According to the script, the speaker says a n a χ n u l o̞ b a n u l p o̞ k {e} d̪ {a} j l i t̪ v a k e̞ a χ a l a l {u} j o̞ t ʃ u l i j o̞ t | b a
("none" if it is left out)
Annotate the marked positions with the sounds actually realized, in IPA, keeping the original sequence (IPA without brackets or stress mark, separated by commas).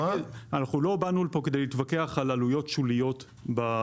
e, e, u